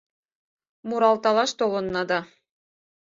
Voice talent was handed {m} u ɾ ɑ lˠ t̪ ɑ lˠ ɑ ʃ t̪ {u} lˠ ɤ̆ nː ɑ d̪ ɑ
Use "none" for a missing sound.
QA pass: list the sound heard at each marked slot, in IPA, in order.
m, o

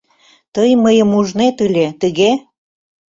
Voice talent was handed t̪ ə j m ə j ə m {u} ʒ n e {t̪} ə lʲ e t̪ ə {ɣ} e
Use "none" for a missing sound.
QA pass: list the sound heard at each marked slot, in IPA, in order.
u, t̪, ɣ

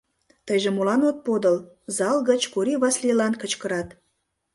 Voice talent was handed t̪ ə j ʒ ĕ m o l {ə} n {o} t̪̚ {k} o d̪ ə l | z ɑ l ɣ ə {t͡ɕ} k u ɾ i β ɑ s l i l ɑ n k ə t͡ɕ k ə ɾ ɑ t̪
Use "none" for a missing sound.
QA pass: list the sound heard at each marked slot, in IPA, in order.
ɑ, o, p, t͡ɕ

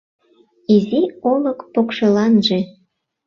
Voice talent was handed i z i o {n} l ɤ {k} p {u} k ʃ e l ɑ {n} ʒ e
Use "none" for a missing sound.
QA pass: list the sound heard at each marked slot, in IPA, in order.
none, k, o, n

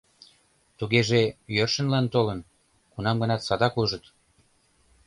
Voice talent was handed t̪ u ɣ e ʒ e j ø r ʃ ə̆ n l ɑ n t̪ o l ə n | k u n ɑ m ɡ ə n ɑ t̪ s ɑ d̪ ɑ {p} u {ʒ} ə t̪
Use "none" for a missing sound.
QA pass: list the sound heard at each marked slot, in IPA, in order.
k, ʒ

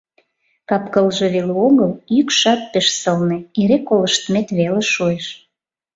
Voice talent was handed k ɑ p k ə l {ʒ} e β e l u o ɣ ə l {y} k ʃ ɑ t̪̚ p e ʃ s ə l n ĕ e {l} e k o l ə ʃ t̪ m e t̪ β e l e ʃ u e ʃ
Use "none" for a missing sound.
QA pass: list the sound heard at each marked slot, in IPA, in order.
ʒ, y, ɾ

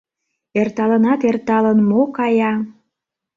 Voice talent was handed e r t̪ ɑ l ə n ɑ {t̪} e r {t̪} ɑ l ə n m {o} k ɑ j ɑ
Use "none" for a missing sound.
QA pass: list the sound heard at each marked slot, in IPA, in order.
t̪, t̪, o

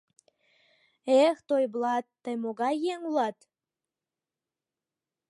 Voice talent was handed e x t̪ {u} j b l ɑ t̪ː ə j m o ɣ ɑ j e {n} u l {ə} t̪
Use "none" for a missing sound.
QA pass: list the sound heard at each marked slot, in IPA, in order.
o, ŋ, ɑ

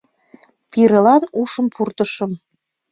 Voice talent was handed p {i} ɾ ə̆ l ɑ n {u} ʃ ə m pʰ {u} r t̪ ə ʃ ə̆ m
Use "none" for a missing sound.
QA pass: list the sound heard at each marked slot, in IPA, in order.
i, u, u

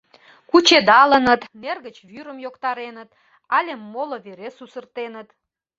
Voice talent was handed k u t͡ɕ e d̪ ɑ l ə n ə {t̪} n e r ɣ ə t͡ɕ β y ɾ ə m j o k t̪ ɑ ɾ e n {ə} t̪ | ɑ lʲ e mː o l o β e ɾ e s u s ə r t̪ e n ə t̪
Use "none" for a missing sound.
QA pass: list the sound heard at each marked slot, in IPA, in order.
t̪, ə

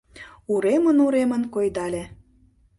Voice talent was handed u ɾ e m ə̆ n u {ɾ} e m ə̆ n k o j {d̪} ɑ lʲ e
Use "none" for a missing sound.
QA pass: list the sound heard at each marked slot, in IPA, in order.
ɾ, d̪

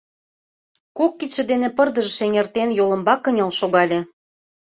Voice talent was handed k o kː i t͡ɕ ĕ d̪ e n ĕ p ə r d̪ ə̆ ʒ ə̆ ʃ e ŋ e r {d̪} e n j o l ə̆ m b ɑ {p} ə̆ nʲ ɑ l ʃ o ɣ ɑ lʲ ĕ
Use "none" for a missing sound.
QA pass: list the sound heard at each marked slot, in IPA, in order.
t̪, k

